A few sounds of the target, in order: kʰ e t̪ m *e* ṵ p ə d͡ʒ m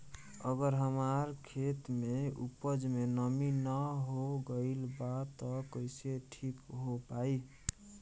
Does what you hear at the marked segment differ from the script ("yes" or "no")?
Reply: no